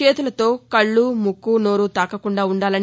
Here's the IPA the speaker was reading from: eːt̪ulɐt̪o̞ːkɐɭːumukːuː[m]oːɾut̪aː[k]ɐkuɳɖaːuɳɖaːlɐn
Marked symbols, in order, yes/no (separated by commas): no, yes